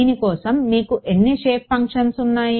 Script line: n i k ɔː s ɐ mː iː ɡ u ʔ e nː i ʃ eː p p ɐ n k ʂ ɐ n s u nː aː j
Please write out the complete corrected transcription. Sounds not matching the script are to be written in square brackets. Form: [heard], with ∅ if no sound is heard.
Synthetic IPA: n i k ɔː s ɐ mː iː [k] u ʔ e nː i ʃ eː p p ɐ [ŋ] k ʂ ɐ n s u nː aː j